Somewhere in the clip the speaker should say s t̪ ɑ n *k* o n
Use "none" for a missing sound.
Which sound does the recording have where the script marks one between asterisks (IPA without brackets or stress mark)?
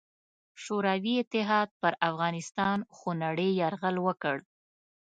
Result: x